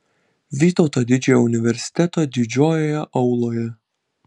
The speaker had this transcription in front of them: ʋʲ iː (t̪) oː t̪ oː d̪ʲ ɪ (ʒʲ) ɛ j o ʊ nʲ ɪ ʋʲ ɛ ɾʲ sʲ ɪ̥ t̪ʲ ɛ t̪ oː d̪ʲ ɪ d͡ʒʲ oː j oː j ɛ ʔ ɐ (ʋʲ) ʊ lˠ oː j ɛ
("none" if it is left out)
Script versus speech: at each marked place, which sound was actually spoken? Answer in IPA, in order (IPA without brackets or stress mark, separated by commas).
t̪, d͡ʒʲ, none